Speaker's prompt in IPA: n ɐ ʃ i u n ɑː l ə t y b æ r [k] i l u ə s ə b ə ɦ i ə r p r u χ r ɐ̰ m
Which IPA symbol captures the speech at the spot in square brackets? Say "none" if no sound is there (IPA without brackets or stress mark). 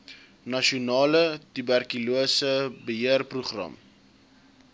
k